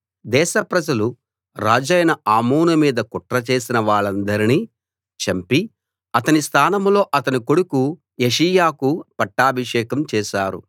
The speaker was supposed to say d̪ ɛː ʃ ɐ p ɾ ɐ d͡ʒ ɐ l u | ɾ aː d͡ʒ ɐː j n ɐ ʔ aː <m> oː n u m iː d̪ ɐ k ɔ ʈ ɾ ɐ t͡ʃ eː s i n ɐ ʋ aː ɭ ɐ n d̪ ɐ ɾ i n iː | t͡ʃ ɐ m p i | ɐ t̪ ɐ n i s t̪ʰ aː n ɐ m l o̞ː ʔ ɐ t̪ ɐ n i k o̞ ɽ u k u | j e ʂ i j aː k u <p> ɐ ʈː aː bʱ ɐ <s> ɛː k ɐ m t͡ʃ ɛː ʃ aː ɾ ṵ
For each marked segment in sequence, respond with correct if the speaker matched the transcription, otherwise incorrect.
correct, correct, incorrect: ʂ

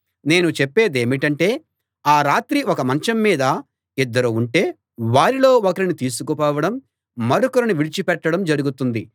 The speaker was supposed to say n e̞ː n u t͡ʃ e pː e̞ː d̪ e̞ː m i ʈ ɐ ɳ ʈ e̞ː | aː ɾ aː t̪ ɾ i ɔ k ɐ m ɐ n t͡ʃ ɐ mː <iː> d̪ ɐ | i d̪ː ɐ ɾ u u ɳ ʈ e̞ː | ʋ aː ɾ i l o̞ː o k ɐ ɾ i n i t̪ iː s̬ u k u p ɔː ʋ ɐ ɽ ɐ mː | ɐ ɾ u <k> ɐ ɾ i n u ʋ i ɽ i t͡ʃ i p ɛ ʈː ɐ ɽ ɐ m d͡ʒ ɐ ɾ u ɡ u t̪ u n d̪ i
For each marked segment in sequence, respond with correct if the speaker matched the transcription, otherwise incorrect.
correct, correct

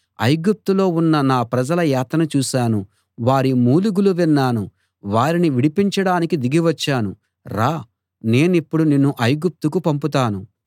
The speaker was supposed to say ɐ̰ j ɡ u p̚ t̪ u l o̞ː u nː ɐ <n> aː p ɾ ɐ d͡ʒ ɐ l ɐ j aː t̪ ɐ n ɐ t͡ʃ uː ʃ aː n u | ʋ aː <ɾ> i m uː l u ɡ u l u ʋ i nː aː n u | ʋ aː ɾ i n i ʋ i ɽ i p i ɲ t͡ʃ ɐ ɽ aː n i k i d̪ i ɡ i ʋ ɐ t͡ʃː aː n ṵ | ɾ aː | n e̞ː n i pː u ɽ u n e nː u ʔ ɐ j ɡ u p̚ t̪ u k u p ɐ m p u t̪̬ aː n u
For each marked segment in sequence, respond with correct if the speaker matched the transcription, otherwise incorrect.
correct, correct

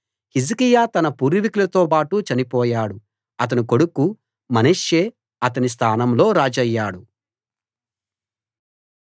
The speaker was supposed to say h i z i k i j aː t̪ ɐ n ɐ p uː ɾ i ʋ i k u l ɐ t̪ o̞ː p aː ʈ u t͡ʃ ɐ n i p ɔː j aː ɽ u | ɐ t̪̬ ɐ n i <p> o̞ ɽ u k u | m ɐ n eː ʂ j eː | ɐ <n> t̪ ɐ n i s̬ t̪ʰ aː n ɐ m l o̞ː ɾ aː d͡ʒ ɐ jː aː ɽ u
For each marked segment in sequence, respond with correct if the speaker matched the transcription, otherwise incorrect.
incorrect: k, incorrect: none

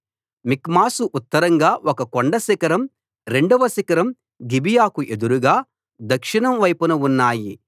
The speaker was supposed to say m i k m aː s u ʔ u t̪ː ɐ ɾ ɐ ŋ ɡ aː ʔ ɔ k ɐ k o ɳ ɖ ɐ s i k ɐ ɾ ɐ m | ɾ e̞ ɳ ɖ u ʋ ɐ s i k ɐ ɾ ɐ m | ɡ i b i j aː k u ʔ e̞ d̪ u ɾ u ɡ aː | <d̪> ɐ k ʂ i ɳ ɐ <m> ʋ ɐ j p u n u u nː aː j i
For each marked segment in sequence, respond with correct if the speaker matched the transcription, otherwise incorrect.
correct, correct

